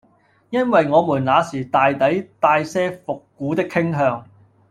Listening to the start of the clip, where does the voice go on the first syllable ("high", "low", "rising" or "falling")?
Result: high